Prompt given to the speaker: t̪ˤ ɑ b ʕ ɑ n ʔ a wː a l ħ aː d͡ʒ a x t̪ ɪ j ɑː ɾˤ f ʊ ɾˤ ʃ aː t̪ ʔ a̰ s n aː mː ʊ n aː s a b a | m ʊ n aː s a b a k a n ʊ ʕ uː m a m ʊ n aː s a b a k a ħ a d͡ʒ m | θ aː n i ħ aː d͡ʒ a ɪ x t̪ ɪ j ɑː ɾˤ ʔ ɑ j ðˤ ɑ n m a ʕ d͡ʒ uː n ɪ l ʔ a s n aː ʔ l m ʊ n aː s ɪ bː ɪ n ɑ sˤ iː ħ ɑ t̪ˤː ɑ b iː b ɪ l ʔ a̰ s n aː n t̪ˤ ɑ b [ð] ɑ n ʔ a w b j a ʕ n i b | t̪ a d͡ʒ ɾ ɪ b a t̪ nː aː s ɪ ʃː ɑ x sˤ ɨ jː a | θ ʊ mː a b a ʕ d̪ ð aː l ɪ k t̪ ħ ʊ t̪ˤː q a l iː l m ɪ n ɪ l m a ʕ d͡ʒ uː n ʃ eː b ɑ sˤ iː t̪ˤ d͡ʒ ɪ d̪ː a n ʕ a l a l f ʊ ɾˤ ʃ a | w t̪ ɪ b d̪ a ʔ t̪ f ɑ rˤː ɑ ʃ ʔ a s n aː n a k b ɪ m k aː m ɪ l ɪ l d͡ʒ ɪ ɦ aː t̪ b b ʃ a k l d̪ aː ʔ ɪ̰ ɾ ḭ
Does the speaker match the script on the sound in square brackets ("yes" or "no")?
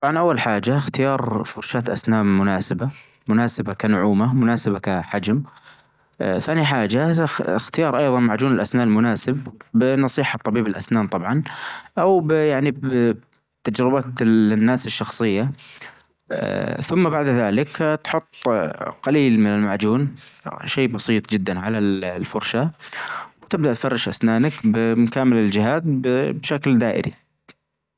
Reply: no